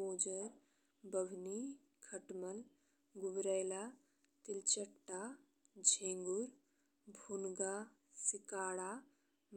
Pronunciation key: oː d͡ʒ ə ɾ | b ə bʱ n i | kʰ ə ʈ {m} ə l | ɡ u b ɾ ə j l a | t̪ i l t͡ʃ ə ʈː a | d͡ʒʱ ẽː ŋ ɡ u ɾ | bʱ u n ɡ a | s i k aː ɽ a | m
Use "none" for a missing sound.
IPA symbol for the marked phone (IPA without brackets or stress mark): m